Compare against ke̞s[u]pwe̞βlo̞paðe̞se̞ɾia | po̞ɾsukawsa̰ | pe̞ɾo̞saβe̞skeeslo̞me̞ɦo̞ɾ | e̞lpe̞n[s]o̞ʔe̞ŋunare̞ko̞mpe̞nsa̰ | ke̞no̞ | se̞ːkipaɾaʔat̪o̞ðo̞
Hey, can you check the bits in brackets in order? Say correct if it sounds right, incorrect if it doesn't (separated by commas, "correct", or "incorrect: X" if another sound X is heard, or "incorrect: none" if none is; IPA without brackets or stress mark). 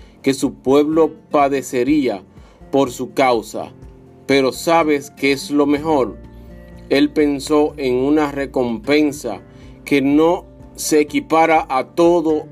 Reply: correct, correct